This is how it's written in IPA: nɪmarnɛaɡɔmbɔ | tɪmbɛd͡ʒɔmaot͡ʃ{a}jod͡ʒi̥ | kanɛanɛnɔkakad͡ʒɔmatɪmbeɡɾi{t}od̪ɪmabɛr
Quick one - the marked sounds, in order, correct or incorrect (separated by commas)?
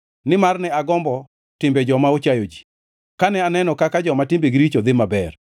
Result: correct, incorrect